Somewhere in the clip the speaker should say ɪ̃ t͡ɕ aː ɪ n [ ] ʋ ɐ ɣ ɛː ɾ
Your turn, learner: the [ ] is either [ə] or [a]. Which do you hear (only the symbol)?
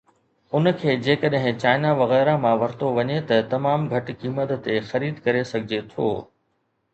a